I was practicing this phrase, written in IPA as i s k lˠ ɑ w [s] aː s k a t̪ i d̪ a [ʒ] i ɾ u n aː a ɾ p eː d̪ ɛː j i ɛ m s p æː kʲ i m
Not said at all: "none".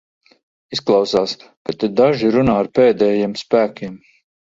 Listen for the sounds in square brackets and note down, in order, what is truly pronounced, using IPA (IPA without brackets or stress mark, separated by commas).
s, ʒ